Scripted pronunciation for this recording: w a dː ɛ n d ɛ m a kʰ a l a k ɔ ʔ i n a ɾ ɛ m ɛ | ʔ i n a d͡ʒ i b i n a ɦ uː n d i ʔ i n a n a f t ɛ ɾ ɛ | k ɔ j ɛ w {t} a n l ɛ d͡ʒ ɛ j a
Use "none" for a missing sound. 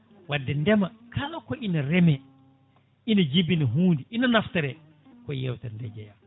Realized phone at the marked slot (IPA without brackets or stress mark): t